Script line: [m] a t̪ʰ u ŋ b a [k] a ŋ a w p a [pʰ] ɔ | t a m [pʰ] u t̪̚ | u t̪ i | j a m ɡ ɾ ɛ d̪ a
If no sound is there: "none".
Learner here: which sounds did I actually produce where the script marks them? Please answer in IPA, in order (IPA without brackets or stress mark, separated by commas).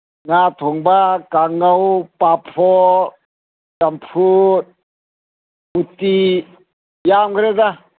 ŋ, k, pʰ, pʰ